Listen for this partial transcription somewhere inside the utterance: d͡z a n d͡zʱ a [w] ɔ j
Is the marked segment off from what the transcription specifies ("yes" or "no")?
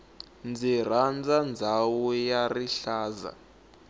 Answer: no